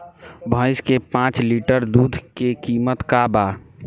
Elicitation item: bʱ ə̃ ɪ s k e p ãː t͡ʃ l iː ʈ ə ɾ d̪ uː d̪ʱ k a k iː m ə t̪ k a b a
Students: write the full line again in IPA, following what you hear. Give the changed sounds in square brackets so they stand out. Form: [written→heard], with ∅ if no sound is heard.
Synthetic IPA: bʱ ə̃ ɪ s k e p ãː t͡ʃ l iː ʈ ə ɾ d̪ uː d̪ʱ k [a→e] k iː m ə t̪ k a b a